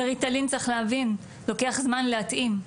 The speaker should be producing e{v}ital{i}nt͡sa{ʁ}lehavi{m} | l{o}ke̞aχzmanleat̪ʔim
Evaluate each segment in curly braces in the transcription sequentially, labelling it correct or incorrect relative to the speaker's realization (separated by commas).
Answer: incorrect, correct, incorrect, incorrect, correct